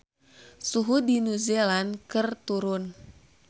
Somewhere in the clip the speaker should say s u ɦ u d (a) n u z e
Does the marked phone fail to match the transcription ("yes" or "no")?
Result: yes